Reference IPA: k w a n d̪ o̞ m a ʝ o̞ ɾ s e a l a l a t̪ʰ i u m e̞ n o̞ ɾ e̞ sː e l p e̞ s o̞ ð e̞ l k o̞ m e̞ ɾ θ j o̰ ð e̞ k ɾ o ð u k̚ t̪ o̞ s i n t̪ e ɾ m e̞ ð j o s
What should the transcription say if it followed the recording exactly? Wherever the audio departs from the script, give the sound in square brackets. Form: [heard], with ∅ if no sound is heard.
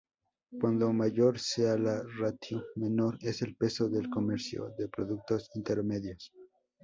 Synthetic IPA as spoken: k w a n d̪ o̞ m a ʝ o̞ ɾ s e a l a [r] a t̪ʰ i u m e̞ n o̞ ɾ e̞ [s] e l p e̞ s o̞ ð e̞ l k o̞ m e̞ ɾ [s] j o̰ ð e̞ [p] ɾ o ð u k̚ t̪ o̞ s i n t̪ e ɾ m e̞ ð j o s